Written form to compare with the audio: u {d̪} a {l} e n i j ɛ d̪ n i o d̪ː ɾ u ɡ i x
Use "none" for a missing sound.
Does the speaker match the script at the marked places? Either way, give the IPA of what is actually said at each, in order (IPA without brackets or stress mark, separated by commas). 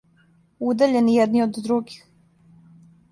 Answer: d̪, ʎ